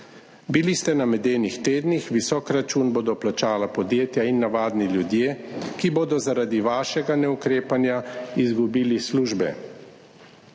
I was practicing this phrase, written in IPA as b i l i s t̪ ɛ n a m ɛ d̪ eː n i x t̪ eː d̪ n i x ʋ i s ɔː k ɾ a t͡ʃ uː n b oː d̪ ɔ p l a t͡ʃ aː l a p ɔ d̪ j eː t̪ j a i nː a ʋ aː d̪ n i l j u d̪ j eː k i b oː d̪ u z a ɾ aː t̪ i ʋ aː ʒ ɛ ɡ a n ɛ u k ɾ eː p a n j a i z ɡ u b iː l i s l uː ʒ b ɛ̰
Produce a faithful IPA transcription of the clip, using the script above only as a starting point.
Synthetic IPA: b i l i s t̪ ɛ n a m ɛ d̪ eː n i x t̪ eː d̪ n i x ʋ i s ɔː k ɾ a t͡ʃ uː n b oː d̪ ɔ p l a t͡ʃ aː l a p ɔ d̪ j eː t̪ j a i nː a ʋ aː d̪ n i l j u d̪ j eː k i b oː d̪ ɔ z a ɾ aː d̪ i ʋ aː ʃ ɛ ɡ a n ɛ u k ɾ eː p a n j a i z ɡ u b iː l i s l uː ʒ b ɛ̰